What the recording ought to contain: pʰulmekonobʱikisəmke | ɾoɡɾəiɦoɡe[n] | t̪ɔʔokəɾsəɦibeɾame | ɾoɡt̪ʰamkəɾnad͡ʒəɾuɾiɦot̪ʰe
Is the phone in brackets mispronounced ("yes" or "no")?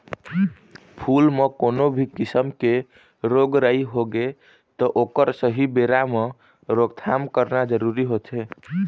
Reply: yes